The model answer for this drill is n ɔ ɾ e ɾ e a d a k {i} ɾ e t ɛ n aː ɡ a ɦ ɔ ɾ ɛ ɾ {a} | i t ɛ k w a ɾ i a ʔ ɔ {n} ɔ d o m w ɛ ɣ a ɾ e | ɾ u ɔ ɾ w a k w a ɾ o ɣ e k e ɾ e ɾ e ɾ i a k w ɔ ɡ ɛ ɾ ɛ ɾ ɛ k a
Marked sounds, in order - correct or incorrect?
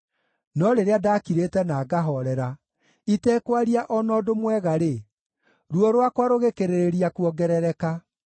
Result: correct, correct, correct

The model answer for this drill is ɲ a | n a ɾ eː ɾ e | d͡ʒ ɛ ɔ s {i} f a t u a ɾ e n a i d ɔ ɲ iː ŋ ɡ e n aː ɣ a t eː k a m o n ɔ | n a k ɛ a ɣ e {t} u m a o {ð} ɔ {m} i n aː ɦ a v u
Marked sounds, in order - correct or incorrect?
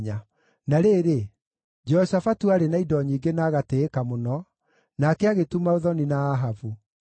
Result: incorrect: a, correct, correct, incorrect: n

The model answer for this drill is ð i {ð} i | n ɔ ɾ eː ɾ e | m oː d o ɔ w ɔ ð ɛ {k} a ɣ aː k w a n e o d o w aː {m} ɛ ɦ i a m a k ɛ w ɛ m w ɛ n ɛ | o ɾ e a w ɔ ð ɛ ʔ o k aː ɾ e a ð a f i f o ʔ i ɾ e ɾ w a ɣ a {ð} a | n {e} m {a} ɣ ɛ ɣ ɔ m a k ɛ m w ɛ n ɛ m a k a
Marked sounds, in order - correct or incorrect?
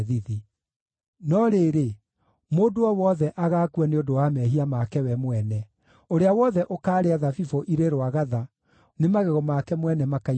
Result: correct, incorrect: ʔ, correct, correct, correct, correct

